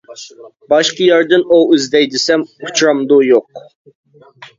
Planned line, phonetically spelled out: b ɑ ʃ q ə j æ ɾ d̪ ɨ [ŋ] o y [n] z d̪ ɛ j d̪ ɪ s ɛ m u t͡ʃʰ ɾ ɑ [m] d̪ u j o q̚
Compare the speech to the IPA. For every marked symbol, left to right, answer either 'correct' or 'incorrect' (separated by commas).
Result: incorrect, incorrect, correct